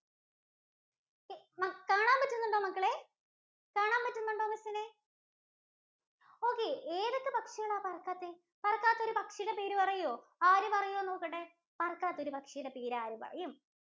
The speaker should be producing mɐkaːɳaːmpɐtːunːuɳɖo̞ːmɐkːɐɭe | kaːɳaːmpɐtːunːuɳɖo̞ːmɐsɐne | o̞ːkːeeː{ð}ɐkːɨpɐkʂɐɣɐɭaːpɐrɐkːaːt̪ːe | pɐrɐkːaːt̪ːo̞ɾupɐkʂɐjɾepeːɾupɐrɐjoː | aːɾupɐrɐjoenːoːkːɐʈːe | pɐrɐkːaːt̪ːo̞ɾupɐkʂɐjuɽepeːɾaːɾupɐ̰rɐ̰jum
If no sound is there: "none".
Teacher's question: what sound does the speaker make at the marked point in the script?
ð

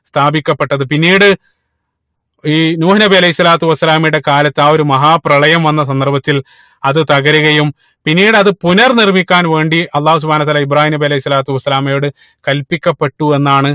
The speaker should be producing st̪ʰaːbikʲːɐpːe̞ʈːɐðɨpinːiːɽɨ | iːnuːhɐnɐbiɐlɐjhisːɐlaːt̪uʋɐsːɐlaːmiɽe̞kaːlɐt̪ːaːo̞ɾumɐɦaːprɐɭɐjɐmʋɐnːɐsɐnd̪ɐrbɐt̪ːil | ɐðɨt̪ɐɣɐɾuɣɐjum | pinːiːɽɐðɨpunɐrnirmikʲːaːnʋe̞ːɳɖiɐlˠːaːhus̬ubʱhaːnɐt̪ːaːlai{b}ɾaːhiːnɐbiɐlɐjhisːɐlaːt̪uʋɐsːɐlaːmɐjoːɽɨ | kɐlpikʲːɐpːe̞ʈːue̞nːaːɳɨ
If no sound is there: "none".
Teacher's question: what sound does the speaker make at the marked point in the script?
b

